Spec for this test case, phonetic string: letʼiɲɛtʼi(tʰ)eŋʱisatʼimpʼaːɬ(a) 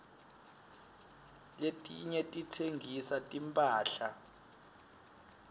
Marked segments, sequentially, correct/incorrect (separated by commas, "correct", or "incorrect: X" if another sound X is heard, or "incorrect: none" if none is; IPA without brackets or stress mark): correct, correct